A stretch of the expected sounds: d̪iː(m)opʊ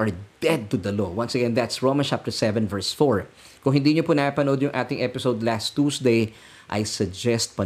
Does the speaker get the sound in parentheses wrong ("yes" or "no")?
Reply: yes